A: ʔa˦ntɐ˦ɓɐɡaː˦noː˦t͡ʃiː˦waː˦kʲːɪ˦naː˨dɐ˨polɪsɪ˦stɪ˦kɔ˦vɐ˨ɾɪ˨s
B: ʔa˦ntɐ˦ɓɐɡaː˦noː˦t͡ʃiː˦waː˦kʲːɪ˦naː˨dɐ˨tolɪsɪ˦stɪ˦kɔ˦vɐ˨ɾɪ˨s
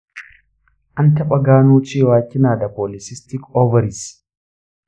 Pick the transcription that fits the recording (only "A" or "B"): A